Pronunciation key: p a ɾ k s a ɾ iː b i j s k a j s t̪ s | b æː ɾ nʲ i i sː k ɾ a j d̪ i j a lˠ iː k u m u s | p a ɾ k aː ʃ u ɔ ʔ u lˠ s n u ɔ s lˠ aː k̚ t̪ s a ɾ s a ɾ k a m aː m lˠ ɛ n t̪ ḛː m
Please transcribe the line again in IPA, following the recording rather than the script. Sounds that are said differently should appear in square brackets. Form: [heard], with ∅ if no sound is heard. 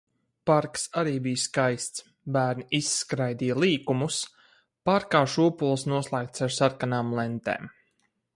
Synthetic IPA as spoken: p a ɾ k s a ɾ iː b i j s k a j s t̪ s | b æː ɾ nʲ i i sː k ɾ a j d̪ i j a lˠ iː k u m u s | p a ɾ k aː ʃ u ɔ [p] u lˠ s n u ɔ s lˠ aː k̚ t̪ s a ɾ s a ɾ k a [n] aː m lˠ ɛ n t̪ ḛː m